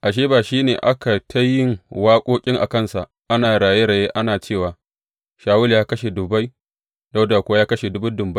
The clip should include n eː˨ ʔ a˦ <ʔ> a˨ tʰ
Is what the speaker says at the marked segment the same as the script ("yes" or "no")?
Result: no